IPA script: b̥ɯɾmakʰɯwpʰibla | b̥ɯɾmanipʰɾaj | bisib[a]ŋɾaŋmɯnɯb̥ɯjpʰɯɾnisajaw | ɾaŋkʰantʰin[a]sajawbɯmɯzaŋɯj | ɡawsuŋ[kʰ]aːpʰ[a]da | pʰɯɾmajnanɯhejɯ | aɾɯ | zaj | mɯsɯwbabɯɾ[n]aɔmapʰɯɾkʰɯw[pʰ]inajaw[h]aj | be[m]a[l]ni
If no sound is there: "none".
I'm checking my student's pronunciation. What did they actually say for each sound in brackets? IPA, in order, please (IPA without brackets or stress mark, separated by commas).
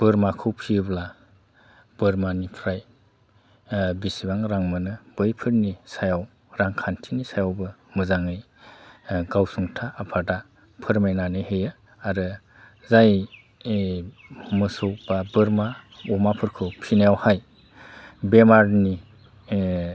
a, i, tʰ, a, m, pʰ, h, m, ɾ